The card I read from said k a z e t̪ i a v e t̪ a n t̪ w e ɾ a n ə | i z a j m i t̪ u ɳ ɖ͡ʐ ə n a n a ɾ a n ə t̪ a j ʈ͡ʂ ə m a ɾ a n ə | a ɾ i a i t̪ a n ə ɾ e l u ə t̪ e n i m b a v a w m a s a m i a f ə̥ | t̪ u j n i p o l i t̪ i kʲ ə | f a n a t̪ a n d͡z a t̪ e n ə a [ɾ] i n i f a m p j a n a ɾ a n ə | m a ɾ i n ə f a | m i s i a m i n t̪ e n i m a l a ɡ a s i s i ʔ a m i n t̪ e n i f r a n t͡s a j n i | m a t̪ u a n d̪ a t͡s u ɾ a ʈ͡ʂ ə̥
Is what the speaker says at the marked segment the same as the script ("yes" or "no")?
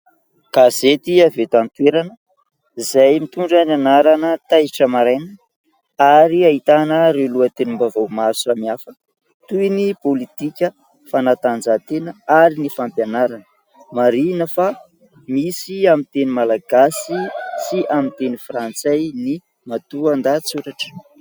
yes